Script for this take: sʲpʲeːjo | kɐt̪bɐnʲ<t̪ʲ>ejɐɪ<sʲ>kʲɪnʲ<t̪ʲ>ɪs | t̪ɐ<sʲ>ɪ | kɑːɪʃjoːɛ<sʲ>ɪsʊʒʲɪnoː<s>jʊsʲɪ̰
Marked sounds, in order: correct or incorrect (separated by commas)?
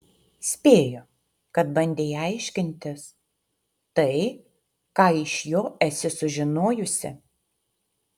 incorrect, incorrect, correct, incorrect, correct, incorrect